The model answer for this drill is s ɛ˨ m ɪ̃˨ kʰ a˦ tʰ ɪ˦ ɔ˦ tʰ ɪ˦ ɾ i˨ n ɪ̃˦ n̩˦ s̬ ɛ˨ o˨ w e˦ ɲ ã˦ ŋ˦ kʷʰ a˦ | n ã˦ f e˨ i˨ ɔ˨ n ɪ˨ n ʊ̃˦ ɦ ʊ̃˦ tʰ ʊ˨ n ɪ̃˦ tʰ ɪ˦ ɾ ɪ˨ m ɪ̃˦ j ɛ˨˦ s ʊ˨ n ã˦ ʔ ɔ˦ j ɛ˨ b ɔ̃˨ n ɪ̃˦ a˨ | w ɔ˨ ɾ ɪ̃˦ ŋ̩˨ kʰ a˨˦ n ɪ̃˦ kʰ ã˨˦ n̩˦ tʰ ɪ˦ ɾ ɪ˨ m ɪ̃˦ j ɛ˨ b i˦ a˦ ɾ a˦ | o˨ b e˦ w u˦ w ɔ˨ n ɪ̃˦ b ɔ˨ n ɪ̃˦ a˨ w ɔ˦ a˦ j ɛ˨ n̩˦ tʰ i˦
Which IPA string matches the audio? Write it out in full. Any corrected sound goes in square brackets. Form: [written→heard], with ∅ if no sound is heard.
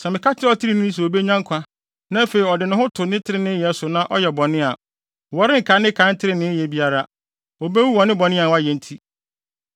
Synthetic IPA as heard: s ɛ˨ m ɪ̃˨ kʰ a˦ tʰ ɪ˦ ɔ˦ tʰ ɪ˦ ɾ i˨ n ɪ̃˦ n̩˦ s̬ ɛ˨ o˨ [w→b] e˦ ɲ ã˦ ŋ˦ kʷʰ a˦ | n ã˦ f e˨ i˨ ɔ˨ [n→d] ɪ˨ n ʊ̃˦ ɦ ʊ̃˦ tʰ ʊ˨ n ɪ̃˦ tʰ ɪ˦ ɾ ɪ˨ [m→n] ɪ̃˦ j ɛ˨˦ s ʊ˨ n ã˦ ʔ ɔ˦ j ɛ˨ b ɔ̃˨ n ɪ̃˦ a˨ | w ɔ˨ ɾ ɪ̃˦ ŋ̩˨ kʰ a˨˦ n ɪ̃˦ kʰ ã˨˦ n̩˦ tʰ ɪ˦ ɾ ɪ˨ [m→n] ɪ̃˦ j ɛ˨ b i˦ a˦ ɾ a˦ | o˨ b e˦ w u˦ w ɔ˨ n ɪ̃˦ b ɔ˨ n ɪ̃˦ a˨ w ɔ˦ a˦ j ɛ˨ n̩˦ tʰ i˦